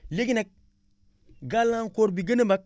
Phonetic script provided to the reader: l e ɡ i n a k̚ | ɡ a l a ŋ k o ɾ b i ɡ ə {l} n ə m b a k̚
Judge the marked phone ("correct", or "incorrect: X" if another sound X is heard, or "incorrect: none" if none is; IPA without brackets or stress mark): incorrect: none